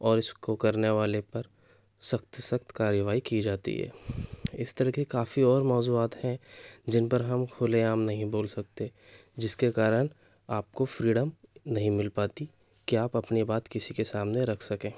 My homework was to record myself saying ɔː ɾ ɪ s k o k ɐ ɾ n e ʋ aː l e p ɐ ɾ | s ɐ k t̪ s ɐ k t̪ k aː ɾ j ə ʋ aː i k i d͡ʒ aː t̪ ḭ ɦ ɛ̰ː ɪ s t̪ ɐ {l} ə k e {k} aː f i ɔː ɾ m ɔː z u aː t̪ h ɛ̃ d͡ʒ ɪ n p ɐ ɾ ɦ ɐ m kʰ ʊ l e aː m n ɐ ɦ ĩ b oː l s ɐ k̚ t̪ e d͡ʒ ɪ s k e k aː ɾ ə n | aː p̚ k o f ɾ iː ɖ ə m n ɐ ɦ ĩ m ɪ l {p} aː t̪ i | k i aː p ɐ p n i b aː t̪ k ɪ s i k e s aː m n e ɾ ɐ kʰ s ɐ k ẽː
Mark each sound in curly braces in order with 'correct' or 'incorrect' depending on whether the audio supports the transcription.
incorrect: ɾ, correct, correct

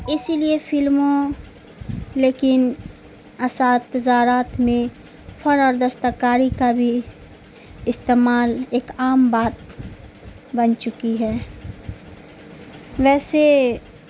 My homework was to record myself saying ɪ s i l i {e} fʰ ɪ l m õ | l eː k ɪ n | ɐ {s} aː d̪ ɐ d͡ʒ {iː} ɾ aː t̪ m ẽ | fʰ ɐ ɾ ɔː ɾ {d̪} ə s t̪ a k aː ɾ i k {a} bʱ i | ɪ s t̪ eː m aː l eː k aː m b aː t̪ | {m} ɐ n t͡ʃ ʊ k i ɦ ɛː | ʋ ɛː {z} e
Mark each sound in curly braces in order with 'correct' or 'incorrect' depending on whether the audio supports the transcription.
correct, correct, incorrect: aː, correct, correct, incorrect: b, incorrect: s

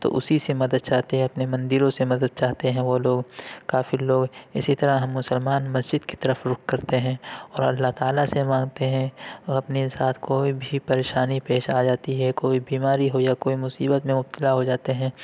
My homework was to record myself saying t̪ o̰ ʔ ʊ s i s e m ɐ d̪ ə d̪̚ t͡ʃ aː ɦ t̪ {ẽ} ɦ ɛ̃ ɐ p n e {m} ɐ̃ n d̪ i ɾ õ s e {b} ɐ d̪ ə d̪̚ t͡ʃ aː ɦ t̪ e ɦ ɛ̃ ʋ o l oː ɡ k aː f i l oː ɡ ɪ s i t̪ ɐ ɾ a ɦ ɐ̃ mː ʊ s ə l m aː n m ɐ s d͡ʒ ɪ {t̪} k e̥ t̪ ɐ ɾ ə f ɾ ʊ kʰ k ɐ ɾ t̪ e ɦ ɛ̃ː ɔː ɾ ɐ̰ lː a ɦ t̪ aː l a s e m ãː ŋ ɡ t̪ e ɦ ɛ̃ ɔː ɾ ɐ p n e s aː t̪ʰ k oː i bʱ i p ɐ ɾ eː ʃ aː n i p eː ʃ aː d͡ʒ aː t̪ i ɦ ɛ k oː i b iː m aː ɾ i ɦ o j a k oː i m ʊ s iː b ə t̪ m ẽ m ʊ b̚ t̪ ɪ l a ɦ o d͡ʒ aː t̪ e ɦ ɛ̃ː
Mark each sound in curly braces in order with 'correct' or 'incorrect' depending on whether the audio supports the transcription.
incorrect: e, correct, incorrect: m, incorrect: d̪

